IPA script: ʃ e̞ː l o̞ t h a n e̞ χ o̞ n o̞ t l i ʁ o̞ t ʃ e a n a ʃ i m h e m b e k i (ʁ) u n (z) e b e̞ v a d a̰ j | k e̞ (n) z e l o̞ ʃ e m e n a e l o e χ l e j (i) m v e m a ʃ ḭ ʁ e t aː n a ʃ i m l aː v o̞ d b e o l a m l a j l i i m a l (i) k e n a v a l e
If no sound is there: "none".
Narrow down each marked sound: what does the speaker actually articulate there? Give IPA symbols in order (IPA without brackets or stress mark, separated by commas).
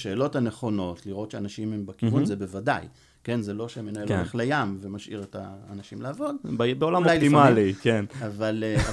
v, z, n, a, i